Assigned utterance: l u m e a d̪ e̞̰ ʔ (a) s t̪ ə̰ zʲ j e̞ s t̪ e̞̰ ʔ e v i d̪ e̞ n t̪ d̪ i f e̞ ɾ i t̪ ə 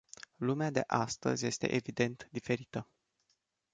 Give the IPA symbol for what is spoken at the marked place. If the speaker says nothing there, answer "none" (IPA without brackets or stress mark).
a